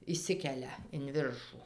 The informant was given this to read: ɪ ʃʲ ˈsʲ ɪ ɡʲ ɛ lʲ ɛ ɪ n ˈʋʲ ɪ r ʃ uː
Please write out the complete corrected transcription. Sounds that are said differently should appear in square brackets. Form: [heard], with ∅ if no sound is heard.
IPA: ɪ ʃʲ ˈsʲ ɪ [kʲ] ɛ lʲ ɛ ɪ n ˈʋʲ ɪ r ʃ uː